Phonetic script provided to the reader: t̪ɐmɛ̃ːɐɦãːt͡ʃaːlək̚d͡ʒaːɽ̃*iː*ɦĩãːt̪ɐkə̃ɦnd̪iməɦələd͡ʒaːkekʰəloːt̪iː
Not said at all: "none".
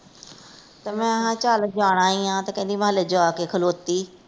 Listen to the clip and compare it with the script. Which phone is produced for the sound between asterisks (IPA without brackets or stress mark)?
aː